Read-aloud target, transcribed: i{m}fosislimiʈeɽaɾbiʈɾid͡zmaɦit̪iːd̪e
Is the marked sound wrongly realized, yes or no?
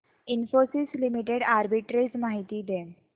yes